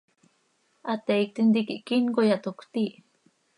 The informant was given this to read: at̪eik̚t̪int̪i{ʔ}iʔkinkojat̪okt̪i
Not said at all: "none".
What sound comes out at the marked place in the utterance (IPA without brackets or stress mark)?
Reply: k